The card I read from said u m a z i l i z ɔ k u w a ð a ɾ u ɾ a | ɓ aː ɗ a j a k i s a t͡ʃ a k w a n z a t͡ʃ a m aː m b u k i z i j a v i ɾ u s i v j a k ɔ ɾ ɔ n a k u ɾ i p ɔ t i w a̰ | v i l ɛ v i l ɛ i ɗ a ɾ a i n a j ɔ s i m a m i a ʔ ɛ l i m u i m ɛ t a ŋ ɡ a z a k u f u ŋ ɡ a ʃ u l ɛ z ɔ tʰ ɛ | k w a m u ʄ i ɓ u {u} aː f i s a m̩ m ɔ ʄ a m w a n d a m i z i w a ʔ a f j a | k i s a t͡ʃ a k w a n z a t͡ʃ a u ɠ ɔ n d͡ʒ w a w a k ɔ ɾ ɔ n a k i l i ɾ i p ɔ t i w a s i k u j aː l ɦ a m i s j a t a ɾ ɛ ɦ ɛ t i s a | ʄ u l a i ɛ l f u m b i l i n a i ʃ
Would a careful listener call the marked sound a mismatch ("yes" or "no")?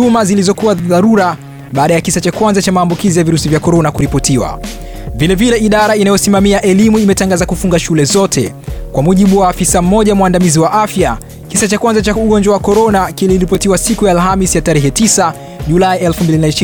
yes